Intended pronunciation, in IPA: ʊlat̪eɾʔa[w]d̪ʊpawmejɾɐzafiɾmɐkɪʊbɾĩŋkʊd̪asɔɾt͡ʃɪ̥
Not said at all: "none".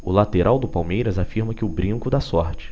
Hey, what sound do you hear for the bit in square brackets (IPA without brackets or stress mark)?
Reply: w